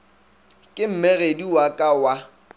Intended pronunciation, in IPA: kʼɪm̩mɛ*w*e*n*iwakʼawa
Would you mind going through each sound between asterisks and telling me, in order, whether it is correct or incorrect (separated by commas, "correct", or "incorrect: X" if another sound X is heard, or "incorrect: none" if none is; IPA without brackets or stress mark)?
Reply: incorrect: ɣ, incorrect: d